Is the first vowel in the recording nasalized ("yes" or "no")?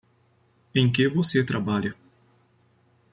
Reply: yes